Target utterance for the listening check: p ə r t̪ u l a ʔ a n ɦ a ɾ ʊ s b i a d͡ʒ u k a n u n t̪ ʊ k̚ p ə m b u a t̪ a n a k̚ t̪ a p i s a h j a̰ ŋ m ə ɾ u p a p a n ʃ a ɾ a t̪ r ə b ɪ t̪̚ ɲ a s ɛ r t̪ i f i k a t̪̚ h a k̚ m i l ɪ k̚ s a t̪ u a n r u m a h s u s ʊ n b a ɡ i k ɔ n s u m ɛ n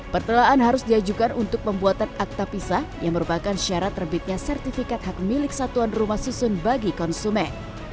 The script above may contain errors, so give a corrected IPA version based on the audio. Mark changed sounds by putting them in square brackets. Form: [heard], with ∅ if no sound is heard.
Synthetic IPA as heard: p ə r t̪ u l a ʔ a n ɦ a ɾ ʊ s [d] i a d͡ʒ u k a n u n t̪ ʊ k̚ p ə m b u a t̪ a n a k̚ t̪ a p i s a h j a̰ ŋ m ə ɾ u p a [k] a n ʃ a ɾ a t̪ r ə b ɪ t̪̚ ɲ a s ɛ r t̪ i f i k a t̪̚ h a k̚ m i l ɪ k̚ s a t̪ u a n r u m a h s u s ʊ n b a ɡ i k ɔ n s u m ɛ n